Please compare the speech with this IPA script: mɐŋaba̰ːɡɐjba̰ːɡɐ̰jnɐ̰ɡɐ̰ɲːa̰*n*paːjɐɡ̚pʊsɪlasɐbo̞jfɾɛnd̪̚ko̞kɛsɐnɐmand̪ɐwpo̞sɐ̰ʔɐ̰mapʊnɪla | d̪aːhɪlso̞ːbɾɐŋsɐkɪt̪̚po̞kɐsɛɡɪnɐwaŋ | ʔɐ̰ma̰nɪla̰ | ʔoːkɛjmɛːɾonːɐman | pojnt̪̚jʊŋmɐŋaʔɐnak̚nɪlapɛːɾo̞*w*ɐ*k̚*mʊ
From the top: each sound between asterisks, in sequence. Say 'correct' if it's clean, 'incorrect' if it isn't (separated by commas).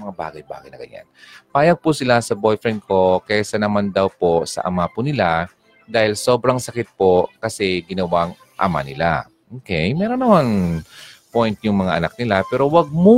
correct, correct, incorrect